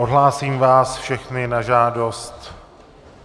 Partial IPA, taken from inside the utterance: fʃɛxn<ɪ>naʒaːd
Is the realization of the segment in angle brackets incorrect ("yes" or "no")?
no